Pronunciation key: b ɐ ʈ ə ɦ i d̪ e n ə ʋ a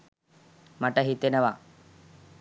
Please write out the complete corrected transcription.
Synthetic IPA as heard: m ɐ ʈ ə ɦ i t̪ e n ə ʋ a